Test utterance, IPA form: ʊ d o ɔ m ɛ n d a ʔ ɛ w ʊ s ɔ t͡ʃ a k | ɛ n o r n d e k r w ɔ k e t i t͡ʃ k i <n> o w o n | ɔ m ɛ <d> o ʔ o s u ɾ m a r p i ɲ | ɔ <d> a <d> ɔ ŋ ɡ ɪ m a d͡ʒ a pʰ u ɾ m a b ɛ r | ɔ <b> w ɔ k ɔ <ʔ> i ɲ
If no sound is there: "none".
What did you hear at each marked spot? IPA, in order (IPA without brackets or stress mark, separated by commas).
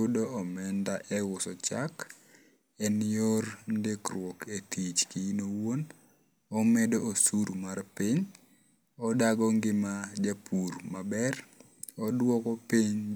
n, d, d, ɡ, d, p